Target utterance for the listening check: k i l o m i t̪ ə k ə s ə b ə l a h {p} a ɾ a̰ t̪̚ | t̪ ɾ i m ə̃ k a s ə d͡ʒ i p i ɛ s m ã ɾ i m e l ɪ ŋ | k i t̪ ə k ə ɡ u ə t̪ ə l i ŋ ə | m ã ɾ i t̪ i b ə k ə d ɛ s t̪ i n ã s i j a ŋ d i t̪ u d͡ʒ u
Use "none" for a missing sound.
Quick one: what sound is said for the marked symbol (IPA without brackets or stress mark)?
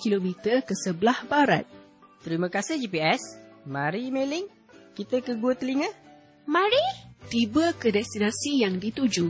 b